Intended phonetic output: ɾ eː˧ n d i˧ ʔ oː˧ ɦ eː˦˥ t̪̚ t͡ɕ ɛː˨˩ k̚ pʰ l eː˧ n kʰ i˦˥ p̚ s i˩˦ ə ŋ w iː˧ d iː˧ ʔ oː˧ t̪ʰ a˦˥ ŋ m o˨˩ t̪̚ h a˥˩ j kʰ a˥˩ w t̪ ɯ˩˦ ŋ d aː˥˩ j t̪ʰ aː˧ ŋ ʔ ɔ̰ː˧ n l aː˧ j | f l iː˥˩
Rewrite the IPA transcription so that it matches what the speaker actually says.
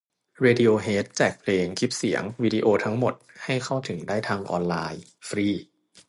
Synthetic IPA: ɾ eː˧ d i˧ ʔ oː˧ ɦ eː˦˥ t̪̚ t͡ɕ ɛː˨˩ k̚ pʰ l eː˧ ŋ kʰ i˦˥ p̚ s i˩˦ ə ŋ w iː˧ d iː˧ ʔ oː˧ t̪ʰ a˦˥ ŋ m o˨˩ t̪̚ h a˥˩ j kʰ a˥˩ w t̪ʰ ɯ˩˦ ŋ d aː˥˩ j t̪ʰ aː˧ ŋ ʔ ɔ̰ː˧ n l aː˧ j | f ɾ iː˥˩